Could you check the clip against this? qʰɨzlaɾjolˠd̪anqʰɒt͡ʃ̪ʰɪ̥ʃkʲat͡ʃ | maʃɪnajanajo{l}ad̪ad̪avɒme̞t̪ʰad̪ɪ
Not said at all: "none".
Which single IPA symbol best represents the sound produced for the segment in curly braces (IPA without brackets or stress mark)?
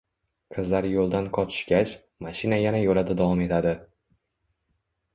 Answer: l